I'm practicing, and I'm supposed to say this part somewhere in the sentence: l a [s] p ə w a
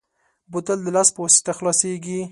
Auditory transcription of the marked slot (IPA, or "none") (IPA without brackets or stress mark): s